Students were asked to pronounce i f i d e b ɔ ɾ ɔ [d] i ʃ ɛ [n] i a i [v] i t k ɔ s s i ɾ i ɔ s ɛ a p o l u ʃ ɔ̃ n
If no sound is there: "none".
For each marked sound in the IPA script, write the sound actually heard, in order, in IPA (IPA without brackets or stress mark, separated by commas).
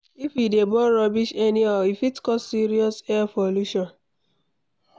b, n, f